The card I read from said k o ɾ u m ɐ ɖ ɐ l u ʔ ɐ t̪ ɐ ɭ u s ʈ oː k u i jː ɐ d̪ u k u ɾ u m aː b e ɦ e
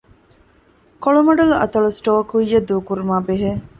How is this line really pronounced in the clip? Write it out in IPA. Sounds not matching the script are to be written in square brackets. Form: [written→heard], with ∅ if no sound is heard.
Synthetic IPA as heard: k o [ɾ→ɭ] u m ɐ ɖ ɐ l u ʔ ɐ t̪ ɐ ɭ u s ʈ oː k u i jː ɐ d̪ [u→uː] k u ɾ u m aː b e ɦ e